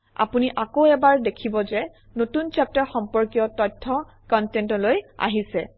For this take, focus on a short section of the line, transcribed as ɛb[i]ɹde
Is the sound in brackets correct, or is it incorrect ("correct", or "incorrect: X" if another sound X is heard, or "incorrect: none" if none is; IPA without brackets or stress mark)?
incorrect: a